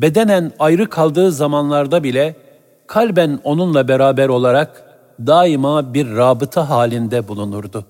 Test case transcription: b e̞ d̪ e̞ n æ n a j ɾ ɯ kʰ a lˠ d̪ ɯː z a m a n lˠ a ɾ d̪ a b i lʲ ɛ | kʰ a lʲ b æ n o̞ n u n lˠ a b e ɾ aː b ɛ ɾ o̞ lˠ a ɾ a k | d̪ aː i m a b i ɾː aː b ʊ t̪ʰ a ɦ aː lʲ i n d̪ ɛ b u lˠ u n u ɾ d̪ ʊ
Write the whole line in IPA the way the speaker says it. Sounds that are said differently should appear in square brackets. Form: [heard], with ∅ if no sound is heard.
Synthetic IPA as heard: b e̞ d̪ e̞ n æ n a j ɾ ɯ kʰ a lˠ d̪ ɯː z a m a n lˠ a ɾ d̪ a b i lʲ ɛ | kʰ a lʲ b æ n o̞ n u n lˠ a b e ɾ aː b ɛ ɾ o̞ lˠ a ɾ a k | d̪ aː i m a b i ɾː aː b [ɯ] t̪ʰ a ɦ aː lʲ i n d̪ ɛ b u lˠ u n u ɾ d̪ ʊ